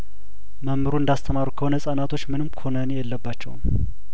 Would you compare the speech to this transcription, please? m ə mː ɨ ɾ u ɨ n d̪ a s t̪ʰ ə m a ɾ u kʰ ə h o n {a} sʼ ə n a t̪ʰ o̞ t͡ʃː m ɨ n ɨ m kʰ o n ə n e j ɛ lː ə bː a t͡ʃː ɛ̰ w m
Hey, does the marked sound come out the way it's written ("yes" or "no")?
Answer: no